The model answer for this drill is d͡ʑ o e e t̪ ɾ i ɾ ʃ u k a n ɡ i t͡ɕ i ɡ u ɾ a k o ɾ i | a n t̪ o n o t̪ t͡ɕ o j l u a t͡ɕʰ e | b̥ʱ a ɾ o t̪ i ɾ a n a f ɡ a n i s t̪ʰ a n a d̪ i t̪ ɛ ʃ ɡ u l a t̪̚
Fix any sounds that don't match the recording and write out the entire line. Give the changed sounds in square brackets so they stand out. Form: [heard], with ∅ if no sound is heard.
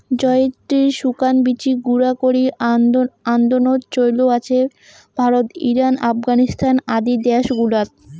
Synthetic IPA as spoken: d͡ʑ [ɔ] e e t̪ ɾ i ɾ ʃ u k a n [b] i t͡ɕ i ɡ u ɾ a k o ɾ i | a n [d̪] o n o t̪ t͡ɕ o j l [o] a t͡ɕʰ e | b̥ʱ a ɾ o t̪ i ɾ a n a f ɡ a n i s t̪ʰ a n a d̪ i [d̪] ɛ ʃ ɡ u l a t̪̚

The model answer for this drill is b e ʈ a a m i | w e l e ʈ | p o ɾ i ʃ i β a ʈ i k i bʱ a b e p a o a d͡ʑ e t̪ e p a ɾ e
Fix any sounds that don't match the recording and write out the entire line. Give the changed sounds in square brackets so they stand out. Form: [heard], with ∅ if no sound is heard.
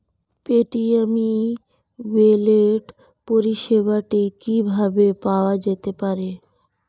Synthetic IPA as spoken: [p] e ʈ [i] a m i | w e l e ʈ | p o ɾ i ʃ [e] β a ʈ i k i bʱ a b e p a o a d͡ʑ e t̪ e p a ɾ e

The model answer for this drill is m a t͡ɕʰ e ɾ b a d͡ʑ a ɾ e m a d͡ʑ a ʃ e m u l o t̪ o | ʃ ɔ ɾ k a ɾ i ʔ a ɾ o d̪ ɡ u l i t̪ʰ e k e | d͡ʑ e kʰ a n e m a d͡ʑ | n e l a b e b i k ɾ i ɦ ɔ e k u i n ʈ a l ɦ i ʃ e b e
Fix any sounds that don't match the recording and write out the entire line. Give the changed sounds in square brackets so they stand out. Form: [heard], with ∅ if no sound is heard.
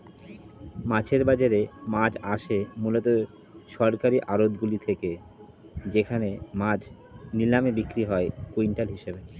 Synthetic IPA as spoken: m a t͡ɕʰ e ɾ b a d͡ʑ a ɾ e m a d͡ʑ a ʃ e m u l o t̪ o | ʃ ɔ ɾ k a ɾ i ʔ a ɾ o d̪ ɡ u l i t̪ʰ e k e | d͡ʑ e kʰ a n e m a d͡ʑ | n [i] l a [m] e b i k ɾ i ɦ ɔ e k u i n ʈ a l ɦ i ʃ e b e

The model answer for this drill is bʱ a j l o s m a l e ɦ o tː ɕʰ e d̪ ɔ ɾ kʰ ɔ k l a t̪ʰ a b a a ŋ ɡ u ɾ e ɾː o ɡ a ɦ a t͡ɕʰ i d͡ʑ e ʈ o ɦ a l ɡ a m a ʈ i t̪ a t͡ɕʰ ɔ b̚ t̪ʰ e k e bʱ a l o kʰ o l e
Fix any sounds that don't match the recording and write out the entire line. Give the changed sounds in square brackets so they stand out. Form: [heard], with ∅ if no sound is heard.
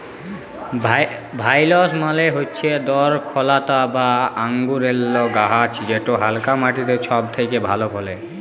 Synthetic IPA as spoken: bʱ a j l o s m a l e ɦ o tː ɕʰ e d̪ ɔ ɾ kʰ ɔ [∅] l a [t̪] a b a a ŋ ɡ u ɾ e [lː] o ɡ a ɦ a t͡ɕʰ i d͡ʑ e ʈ o ɦ a l [k] a m a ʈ i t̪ [e] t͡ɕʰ ɔ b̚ t̪ʰ e k e bʱ a l o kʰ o l e

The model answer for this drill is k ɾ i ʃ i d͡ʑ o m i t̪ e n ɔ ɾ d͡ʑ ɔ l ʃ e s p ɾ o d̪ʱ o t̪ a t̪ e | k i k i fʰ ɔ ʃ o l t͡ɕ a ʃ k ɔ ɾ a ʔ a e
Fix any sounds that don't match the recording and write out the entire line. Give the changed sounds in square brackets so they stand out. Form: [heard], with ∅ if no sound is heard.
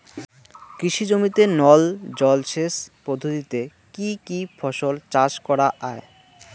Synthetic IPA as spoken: k ɾ i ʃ i d͡ʑ o m i t̪ e n ɔ [l] d͡ʑ ɔ l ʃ e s p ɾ o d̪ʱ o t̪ [i] t̪ e | k i k i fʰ ɔ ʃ o l t͡ɕ a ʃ k ɔ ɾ a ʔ a e

